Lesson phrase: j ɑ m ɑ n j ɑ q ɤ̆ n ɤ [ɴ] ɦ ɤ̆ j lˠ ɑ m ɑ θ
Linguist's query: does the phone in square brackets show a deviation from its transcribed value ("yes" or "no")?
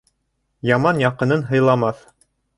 yes